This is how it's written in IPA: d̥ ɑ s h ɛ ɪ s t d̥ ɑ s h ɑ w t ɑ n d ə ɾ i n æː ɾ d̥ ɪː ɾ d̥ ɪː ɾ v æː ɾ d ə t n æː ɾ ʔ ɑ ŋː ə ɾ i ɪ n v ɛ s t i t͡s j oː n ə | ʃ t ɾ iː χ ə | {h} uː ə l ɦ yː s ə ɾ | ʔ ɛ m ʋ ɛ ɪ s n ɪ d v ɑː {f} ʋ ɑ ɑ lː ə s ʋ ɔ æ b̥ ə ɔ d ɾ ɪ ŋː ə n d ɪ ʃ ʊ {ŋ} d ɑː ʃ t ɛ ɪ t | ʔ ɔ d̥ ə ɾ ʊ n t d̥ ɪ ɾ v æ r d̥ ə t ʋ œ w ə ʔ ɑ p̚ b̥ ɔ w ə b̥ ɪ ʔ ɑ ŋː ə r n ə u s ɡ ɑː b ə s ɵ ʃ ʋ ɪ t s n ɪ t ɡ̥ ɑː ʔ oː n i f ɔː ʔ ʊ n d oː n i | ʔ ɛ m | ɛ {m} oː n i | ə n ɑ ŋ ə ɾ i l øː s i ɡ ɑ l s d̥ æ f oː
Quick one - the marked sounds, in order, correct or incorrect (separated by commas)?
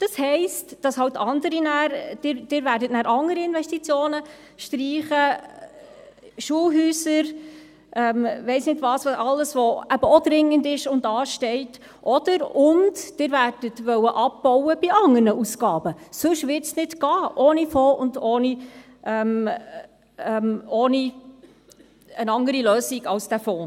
incorrect, incorrect, incorrect, correct